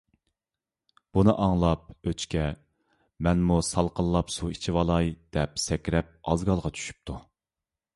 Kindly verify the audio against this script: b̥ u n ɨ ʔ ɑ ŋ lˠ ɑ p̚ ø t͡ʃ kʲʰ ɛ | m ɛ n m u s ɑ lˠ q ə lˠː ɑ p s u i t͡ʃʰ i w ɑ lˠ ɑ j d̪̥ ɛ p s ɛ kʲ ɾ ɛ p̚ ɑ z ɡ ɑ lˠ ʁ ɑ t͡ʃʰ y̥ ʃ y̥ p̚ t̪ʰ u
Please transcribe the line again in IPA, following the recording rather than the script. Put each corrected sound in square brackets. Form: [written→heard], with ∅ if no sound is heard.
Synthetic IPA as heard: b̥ u n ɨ ʔ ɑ ŋ lˠ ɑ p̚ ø t͡ʃ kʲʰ ɛ | m ɛ n m u s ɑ lˠ q ə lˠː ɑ p s u i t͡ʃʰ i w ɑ lˠ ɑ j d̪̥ ɛ p s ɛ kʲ ɾ ɛ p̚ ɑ z ɡ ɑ lˠ ʁ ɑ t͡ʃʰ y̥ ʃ y̥ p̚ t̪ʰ u

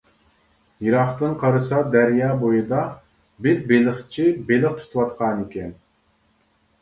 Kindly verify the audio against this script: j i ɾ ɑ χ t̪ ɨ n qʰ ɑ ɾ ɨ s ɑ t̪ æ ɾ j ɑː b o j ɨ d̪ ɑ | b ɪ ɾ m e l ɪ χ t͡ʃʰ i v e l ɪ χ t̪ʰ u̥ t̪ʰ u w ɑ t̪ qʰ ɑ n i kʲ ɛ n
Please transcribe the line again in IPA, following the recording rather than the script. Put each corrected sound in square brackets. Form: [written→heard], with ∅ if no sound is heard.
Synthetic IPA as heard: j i ɾ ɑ χ t̪ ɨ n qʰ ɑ ɾ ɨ s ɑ [t̪→d̪] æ ɾ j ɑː b o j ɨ d̪ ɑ | b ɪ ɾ [m→b] e l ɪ χ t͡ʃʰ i [v→b] e l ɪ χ t̪ʰ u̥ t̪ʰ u w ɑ t̪ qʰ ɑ n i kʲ ɛ n

